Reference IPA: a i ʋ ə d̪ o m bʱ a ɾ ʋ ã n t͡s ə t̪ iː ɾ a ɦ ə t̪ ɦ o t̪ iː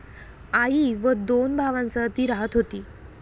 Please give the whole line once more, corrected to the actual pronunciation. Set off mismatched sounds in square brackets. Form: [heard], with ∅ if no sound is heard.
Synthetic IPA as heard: a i ʋ ə d̪ o [n] bʱ a [∅] ʋ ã n t͡s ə t̪ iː ɾ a ɦ ə t̪ ɦ o t̪ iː